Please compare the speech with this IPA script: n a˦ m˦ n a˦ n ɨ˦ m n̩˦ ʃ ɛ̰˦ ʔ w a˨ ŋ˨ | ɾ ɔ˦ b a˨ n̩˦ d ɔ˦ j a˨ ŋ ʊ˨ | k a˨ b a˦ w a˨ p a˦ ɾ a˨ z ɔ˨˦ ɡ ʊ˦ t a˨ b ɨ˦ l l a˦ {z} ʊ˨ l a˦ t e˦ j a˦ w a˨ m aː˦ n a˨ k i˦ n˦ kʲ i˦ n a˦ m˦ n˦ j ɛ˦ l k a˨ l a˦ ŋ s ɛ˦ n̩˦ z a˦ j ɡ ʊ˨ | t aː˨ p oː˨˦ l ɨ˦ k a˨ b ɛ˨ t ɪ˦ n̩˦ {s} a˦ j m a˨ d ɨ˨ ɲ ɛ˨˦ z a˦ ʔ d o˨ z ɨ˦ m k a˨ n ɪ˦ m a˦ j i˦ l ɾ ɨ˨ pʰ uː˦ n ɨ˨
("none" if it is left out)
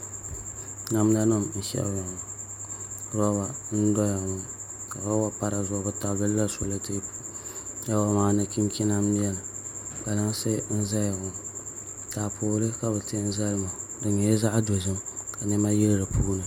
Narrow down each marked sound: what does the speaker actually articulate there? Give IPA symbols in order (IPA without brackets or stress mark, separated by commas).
s, z